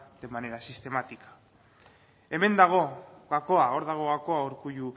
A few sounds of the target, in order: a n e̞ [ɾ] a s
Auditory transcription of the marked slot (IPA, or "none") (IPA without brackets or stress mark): ɾ